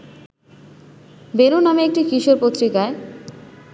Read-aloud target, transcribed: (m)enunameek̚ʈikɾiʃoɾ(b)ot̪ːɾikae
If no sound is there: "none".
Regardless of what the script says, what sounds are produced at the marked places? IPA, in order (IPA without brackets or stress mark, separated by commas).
b, p